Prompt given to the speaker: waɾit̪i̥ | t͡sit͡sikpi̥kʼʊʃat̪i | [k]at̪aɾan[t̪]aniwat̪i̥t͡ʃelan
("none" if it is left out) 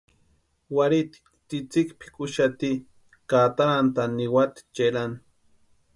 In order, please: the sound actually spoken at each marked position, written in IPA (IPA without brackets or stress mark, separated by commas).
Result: k, t̪